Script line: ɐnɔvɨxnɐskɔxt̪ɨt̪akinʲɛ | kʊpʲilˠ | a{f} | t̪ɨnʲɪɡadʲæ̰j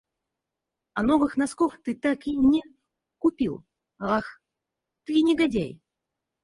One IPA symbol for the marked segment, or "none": x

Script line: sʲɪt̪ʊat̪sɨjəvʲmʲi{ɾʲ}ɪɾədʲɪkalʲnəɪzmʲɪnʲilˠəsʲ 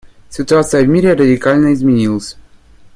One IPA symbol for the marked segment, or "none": ɾʲ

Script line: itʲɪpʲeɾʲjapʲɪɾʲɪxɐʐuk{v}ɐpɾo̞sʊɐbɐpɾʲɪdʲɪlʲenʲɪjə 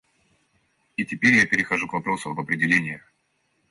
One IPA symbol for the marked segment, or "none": v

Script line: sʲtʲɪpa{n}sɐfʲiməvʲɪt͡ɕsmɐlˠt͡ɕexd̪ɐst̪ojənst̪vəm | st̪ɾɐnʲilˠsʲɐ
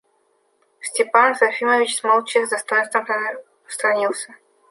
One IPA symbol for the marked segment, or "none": n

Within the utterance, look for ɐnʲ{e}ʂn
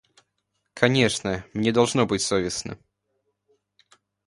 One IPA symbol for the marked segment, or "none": e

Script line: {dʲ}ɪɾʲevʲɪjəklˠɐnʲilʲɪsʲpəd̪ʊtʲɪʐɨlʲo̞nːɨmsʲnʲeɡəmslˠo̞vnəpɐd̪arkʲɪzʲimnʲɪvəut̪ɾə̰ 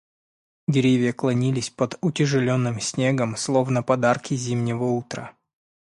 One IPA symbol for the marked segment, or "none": dʲ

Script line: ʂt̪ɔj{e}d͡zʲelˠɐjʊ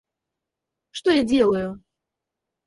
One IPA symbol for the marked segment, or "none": a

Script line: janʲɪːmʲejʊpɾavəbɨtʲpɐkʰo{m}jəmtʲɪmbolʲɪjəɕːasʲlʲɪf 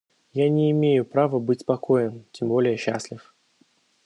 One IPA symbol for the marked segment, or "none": none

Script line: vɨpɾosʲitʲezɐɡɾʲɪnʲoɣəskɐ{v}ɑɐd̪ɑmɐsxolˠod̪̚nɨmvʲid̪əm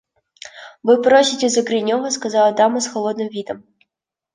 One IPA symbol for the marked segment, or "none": z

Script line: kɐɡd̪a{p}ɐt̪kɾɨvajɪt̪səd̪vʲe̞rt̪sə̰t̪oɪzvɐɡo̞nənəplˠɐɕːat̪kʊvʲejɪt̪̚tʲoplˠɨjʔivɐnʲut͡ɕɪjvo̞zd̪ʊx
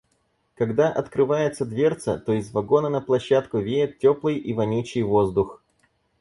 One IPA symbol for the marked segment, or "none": ʔ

